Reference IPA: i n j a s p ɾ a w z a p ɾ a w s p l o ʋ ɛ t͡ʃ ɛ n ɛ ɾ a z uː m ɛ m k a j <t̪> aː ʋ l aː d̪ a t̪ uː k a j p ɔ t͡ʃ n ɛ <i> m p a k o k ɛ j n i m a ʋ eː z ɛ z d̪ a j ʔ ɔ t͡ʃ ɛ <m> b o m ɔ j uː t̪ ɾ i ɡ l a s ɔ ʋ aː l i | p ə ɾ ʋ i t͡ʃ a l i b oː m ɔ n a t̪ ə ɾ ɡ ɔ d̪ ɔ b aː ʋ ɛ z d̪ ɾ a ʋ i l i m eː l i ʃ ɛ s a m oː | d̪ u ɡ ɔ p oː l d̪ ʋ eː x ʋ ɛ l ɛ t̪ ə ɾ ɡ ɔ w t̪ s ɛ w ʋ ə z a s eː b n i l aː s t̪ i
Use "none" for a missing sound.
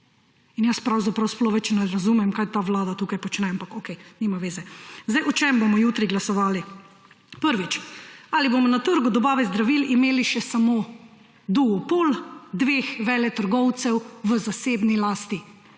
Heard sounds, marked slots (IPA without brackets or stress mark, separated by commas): t̪, a, m